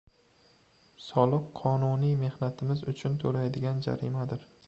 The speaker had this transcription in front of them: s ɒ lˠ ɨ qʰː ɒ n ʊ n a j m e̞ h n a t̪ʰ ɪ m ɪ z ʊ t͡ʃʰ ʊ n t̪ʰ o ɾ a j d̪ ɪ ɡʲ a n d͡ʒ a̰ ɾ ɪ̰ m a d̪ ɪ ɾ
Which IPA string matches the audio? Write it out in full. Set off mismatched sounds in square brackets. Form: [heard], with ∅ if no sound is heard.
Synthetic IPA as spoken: s ɒ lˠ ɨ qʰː ɒ n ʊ n [i] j m e̞ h n a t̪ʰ ɪ m ɪ z ʊ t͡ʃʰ ʊ n t̪ʰ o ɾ a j d̪ ɪ ɡʲ a n d͡ʒ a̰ ɾ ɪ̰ m a d̪ ɪ ɾ